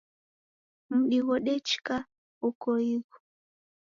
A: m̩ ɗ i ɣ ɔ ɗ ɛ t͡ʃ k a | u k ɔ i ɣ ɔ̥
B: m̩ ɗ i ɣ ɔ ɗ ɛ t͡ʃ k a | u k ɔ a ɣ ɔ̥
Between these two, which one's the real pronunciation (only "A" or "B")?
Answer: A